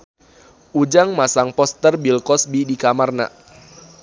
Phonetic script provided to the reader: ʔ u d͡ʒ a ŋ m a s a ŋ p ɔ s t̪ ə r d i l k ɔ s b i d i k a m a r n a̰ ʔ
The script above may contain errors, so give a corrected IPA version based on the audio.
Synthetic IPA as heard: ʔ u d͡ʒ a ŋ m a s a ŋ p ɔ s t̪ ə r b i l k ɔ s b i d i k a m a r n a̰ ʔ